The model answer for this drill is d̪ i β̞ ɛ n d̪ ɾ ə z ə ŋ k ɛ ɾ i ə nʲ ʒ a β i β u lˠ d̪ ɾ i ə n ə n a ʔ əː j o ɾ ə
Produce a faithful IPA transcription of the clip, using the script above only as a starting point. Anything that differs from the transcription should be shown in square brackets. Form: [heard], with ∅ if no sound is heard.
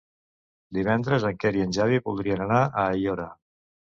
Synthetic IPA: d̪ i β̞ ɛ n d̪ ɾ ə z ə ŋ k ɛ ɾ i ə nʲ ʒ a β i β u lˠ d̪ ɾ i ə n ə n a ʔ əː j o ɾ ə